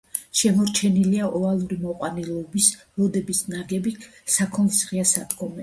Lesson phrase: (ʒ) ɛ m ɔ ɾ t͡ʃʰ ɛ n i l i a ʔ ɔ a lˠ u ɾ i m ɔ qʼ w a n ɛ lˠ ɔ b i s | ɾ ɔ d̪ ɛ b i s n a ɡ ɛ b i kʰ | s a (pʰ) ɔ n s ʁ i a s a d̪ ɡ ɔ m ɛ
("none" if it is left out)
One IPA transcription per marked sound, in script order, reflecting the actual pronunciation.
ʃ, kʰ

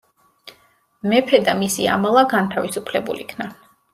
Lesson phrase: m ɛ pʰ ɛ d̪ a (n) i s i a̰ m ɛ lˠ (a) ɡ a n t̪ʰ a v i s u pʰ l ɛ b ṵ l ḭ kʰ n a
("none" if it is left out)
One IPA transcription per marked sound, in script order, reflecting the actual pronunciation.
m, a

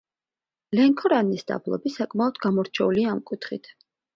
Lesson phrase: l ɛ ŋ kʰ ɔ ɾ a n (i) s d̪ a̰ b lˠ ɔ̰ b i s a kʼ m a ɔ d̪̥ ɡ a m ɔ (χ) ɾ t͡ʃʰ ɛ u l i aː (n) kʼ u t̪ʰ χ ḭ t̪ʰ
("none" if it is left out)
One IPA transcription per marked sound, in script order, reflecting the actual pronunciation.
i, none, m

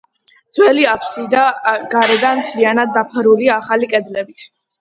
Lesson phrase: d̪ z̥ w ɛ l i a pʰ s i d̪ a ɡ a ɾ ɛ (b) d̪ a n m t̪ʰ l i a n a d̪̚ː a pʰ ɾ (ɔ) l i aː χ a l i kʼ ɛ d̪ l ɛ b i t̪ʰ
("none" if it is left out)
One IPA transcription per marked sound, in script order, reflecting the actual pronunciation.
none, u

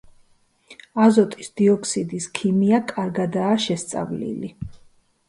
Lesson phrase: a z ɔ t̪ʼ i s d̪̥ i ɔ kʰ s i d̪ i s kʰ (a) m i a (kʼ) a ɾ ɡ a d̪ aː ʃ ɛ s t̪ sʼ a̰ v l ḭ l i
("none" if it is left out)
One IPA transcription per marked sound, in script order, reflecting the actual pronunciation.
i, kʼ

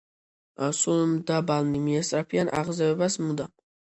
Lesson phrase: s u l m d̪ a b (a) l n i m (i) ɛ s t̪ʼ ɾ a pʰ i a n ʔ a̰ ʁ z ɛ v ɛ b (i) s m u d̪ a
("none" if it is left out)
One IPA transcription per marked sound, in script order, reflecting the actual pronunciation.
a, i, a

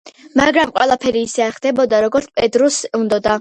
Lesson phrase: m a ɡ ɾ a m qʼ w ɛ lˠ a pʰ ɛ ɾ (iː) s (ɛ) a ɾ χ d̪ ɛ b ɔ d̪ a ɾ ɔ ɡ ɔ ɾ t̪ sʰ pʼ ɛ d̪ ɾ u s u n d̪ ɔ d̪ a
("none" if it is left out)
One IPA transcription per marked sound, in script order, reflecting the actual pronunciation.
iː, ɛ

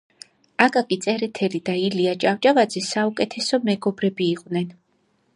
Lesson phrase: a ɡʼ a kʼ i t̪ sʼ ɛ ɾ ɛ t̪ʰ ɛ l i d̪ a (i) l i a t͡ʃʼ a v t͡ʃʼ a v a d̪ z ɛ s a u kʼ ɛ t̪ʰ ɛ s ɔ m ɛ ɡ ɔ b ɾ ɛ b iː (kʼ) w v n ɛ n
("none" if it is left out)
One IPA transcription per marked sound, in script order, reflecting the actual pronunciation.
i, qʼ

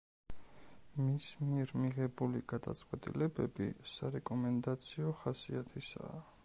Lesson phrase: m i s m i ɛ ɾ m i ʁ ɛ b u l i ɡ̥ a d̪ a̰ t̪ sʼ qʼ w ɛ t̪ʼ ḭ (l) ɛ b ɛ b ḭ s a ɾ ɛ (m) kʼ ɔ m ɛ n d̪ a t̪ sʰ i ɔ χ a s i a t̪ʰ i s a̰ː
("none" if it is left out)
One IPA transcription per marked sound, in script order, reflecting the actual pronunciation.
l, none

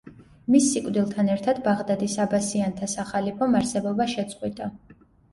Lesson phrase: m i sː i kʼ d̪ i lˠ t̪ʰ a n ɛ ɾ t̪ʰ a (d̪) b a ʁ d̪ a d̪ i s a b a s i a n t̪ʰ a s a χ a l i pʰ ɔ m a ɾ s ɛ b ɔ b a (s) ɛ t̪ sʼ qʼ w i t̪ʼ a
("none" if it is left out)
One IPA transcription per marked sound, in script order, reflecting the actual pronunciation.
d̪, ʃ

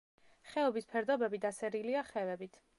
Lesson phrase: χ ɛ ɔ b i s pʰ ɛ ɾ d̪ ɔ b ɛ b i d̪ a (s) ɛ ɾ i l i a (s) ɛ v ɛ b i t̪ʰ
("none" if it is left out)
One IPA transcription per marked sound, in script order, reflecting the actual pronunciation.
s, χ

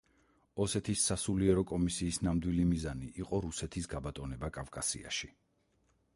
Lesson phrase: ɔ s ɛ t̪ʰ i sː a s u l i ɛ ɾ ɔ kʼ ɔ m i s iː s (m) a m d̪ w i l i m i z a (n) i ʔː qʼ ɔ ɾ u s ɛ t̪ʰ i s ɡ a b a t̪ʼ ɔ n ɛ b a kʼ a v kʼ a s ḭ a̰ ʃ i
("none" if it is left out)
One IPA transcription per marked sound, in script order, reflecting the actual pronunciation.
n, n

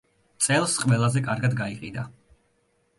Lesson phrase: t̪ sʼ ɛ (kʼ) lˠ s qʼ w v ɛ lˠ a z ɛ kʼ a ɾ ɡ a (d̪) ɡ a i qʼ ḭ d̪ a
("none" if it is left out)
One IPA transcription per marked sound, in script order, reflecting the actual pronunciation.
none, d̪

